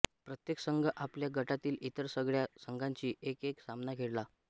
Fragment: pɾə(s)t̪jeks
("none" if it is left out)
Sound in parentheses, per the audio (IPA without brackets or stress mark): none